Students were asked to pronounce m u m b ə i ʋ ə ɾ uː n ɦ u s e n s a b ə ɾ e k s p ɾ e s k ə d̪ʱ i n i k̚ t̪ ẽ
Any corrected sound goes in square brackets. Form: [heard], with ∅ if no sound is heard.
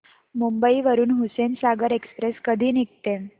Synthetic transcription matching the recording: m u m b ə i ʋ ə ɾ uː n ɦ u s e n s a [ɡ] ə ɾ e k s p ɾ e s k ə d̪ʱ [iː] n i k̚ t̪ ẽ